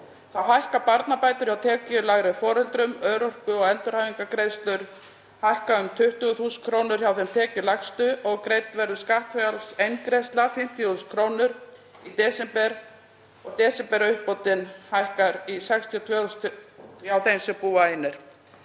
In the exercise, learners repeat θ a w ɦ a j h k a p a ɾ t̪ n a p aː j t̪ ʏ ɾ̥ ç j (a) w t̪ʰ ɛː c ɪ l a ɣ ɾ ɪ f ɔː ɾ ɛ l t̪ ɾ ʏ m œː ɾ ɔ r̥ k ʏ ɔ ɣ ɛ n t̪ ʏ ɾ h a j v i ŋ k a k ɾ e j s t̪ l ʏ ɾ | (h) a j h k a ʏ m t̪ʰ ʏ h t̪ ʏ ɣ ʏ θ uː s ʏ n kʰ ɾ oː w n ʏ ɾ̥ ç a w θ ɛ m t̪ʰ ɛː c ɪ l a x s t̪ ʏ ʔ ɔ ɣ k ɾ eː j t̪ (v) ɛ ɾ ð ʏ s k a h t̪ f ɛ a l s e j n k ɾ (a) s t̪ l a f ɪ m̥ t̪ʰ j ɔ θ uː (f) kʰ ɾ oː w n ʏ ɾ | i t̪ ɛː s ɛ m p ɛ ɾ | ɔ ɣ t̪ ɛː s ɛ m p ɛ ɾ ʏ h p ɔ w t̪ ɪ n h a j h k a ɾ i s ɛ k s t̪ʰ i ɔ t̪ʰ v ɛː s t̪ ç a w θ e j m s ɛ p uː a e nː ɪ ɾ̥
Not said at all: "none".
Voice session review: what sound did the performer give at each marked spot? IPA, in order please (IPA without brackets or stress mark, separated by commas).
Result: a, h, v, e, s